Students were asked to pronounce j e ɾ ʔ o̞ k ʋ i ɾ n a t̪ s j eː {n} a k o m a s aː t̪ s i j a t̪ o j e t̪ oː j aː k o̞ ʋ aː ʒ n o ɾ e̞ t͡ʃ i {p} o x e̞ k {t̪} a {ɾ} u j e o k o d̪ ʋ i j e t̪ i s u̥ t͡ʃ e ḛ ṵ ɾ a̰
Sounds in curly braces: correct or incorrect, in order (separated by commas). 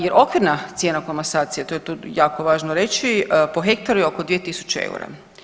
correct, correct, correct, correct